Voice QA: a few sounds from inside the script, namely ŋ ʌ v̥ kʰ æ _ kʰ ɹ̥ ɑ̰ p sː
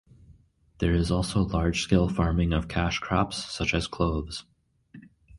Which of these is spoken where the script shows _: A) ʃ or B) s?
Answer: A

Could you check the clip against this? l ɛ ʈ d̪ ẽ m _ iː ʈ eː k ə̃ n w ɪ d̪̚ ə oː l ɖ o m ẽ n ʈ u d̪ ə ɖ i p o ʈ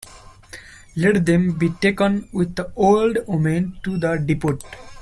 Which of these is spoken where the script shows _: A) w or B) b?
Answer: B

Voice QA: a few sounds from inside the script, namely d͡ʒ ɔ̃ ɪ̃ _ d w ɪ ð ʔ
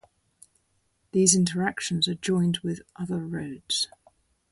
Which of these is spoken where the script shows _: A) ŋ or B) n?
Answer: B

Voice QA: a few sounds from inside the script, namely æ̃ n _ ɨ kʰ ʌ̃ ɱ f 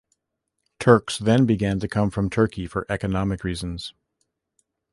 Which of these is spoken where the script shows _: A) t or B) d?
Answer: A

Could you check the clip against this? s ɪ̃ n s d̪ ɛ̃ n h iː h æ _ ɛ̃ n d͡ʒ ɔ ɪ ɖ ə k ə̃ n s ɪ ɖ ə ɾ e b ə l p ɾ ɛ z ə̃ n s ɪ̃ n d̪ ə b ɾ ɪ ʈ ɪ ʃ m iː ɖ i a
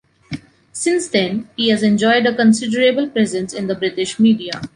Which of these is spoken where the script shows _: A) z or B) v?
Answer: A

